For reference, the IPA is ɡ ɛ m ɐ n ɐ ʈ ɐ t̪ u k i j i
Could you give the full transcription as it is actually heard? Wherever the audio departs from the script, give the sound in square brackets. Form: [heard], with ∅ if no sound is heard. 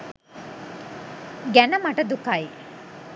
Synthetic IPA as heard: ɡ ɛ [n] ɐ [m] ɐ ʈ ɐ [d̪] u k [a] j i